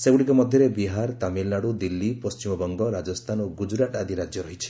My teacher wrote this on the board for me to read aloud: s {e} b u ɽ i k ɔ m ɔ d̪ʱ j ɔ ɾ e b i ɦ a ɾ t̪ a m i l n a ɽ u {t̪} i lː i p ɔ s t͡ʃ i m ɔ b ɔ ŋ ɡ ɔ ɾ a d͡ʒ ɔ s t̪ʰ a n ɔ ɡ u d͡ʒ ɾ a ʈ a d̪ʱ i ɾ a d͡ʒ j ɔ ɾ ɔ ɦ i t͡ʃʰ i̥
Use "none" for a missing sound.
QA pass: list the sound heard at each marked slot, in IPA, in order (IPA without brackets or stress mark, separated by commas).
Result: e, d̪